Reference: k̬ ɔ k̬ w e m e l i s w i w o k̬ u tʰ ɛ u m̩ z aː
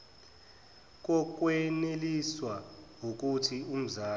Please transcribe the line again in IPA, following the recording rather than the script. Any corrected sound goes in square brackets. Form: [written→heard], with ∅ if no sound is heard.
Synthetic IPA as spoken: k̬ ɔ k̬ w e [m→n] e l i s w [i→a] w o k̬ u tʰ [ɛ→i] u m̩ z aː